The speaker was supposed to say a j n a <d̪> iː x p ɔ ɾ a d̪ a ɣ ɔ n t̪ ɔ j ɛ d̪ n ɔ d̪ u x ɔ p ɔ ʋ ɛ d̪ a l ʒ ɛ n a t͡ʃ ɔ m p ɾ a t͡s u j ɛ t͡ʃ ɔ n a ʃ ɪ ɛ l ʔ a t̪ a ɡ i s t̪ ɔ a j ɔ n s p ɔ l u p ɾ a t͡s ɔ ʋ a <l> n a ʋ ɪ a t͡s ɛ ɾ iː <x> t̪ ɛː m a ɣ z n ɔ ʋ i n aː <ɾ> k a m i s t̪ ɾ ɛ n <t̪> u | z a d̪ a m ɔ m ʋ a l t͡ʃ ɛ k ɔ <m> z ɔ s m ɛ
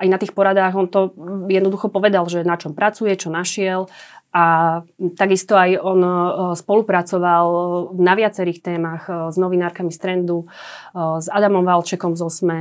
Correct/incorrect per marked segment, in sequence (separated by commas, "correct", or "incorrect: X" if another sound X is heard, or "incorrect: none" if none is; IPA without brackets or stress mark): incorrect: t̪, correct, correct, correct, incorrect: d̪, correct